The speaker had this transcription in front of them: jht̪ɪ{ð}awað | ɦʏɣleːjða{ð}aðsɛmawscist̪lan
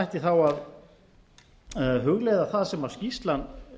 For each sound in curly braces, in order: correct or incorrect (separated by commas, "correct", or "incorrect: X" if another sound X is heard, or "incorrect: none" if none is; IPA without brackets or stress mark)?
incorrect: θ, incorrect: θ